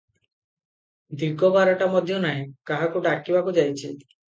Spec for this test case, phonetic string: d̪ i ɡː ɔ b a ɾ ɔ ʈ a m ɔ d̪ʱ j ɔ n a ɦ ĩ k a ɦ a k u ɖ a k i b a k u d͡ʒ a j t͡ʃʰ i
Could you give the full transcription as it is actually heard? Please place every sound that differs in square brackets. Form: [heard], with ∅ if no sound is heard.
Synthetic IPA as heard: d̪ i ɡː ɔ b a ɾ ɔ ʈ a m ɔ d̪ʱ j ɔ n a ɦ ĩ k a ɦ a k u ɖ a k i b a k u d͡ʒ a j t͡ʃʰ i